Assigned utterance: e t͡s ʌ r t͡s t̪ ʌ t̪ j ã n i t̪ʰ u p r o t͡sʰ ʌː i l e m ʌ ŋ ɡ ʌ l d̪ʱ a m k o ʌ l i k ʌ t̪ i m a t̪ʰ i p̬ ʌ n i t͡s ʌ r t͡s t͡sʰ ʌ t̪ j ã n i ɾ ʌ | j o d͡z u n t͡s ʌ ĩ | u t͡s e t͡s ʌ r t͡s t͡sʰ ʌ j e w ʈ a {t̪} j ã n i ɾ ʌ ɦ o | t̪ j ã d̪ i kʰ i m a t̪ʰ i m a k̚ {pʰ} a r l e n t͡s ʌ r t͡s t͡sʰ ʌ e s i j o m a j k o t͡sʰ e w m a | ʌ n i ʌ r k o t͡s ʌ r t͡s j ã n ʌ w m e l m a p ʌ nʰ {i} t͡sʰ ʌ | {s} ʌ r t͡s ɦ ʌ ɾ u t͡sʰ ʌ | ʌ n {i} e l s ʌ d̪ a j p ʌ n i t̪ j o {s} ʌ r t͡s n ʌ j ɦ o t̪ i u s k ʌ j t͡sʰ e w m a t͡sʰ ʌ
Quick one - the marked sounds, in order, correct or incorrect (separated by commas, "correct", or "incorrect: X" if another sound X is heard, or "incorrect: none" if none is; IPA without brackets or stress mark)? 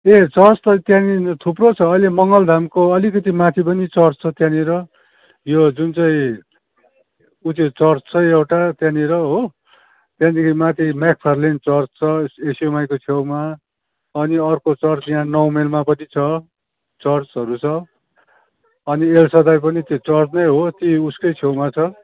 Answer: correct, correct, correct, incorrect: t͡s, correct, incorrect: t͡s